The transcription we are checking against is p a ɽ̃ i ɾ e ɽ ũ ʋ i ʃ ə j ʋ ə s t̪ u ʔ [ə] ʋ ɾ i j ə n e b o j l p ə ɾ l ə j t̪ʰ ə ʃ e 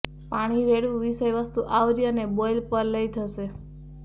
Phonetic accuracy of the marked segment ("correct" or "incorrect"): incorrect